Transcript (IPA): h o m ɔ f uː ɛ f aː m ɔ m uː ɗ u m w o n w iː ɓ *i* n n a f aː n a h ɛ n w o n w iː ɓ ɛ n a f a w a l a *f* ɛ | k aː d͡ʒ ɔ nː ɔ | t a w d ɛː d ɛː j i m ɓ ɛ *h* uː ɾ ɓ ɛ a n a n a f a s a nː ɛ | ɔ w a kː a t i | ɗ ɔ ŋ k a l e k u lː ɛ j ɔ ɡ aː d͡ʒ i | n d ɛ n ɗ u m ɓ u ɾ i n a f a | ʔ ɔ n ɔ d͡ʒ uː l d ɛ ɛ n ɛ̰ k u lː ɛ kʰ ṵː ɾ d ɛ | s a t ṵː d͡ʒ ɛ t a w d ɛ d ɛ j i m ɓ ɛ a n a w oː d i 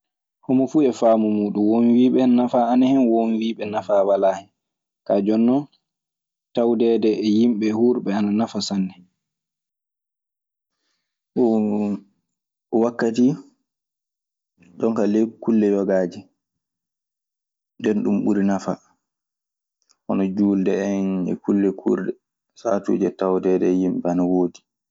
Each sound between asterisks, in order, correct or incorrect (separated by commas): incorrect, incorrect, correct